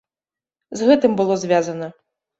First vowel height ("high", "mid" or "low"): mid